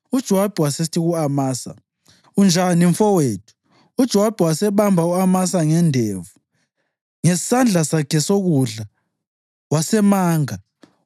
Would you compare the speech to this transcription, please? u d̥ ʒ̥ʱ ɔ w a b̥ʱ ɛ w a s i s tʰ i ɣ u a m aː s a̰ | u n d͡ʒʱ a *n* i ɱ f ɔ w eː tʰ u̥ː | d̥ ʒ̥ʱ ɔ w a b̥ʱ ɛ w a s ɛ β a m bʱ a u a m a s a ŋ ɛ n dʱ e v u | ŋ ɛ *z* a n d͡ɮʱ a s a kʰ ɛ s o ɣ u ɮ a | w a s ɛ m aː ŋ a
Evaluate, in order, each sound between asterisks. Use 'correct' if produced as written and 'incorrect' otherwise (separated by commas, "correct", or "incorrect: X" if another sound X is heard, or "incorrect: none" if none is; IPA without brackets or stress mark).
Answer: correct, incorrect: s